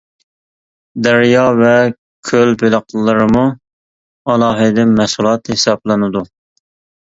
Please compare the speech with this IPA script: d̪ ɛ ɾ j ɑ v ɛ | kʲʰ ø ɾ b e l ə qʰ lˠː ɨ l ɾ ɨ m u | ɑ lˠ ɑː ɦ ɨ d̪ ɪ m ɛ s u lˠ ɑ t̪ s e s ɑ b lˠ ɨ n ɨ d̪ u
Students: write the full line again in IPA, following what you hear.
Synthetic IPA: d̪ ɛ ɾ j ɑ v ɛ | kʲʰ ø l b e l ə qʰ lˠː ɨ ɾ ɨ m u | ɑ lˠ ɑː ɦ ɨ d̪ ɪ m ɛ s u lˠ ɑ t̪ h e s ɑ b lˠ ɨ n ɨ d̪ u